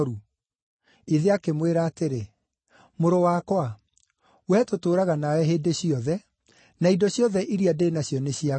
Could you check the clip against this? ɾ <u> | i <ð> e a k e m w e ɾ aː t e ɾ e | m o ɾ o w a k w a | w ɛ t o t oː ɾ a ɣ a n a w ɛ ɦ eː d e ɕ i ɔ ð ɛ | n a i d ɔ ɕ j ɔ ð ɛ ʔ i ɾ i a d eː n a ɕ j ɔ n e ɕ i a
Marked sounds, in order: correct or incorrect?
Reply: correct, correct

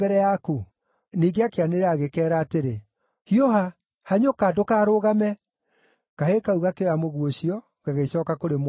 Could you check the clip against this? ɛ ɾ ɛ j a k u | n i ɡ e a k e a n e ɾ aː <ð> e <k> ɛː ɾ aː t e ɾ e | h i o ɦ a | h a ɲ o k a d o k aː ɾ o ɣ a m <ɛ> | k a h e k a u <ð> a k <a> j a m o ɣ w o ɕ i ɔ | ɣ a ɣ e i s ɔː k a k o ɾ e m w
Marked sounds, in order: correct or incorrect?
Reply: incorrect: ɣ, correct, correct, incorrect: ɣ, incorrect: e

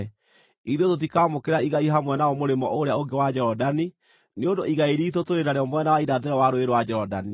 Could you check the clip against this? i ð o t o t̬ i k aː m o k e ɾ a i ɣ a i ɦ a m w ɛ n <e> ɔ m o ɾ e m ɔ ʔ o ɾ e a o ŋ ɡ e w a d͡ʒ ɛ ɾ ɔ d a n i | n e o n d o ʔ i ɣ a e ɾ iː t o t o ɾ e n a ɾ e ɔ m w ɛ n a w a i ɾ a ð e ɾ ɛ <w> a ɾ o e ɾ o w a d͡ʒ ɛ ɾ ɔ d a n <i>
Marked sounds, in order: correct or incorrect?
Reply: incorrect: a, correct, correct

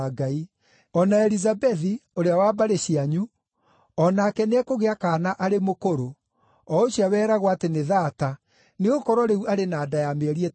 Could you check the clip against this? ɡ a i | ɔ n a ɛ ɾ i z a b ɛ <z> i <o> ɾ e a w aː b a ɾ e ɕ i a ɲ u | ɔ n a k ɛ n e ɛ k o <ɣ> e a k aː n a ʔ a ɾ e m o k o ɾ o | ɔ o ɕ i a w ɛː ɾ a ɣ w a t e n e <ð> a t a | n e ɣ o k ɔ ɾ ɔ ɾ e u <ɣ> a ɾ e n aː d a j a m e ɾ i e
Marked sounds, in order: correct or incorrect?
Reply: incorrect: ð, correct, correct, correct, incorrect: none

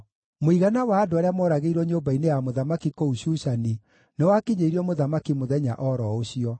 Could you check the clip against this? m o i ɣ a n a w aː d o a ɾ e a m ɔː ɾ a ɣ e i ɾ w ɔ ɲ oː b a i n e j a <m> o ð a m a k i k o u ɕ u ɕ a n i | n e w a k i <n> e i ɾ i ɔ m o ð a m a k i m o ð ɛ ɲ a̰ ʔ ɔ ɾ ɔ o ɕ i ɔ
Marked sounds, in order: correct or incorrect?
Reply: correct, incorrect: ɲ

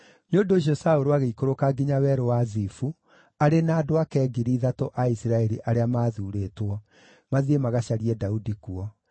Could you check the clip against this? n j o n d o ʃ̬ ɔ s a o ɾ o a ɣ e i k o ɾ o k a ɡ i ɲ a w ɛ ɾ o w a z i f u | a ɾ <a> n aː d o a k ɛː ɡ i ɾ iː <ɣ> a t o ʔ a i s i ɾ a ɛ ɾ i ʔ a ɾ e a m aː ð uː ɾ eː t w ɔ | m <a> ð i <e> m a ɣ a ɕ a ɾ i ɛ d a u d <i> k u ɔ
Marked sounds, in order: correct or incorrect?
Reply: incorrect: e, incorrect: ð, correct, correct, correct

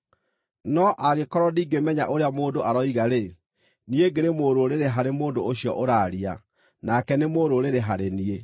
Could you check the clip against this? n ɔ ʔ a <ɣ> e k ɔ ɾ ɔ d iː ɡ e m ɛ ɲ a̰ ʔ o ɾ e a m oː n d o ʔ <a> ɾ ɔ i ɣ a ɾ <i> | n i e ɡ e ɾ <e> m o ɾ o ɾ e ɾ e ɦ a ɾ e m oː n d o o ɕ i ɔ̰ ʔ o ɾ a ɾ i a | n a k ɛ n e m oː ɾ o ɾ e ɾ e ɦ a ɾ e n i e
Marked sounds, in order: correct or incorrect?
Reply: correct, correct, incorrect: e, correct

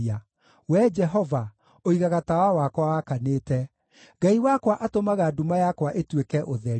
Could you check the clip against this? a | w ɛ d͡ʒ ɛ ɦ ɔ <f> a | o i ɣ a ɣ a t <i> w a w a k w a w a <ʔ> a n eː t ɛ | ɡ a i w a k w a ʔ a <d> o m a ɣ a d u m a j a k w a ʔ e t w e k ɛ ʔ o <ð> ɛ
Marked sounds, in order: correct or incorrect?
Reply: incorrect: v, incorrect: a, incorrect: k, incorrect: t, correct

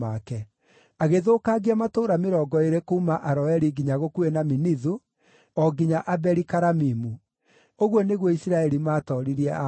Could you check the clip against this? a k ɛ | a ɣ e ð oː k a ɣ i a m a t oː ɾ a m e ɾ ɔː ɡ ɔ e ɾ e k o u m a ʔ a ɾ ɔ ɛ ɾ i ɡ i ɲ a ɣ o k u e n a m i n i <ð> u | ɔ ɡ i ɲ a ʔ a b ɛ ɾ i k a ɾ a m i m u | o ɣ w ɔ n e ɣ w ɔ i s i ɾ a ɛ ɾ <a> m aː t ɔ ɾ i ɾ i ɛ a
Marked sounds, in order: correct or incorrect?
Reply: correct, incorrect: i

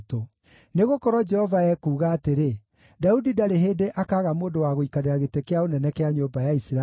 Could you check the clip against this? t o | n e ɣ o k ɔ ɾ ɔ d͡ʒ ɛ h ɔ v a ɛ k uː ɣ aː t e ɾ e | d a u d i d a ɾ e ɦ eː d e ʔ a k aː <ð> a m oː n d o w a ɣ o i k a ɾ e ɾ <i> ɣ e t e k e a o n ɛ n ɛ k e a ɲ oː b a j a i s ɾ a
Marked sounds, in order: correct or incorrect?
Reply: incorrect: ɣ, incorrect: a

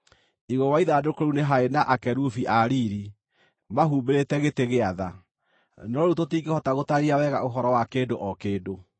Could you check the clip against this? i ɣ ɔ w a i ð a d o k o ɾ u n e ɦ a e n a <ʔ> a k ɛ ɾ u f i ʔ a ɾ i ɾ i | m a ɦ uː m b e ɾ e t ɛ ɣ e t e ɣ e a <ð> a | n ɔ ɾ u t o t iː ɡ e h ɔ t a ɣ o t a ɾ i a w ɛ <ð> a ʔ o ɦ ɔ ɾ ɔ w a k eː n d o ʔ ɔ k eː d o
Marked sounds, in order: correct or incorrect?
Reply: correct, correct, incorrect: ɣ

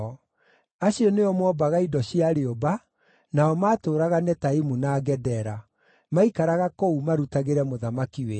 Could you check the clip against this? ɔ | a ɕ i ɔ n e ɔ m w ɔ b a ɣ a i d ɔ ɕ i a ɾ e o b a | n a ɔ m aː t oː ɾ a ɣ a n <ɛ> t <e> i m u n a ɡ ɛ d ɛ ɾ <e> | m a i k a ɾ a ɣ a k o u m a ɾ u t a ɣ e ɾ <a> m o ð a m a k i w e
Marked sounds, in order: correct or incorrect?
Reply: correct, incorrect: a, incorrect: a, incorrect: ɛ

